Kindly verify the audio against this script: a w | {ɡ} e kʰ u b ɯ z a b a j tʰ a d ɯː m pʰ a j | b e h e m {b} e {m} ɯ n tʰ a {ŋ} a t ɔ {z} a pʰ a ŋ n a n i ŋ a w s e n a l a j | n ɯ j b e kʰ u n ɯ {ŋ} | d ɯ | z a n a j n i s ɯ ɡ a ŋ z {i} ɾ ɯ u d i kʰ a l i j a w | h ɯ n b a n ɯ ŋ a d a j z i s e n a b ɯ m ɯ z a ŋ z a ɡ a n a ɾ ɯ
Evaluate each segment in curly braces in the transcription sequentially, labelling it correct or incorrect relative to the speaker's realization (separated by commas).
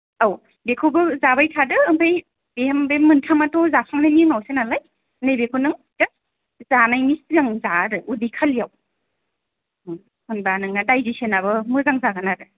incorrect, correct, correct, incorrect, correct, correct, incorrect